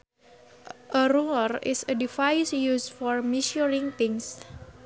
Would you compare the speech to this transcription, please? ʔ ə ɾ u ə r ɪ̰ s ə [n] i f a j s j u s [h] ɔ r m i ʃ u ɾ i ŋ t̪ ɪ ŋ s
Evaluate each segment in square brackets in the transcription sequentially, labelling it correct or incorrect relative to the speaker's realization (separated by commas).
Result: incorrect, incorrect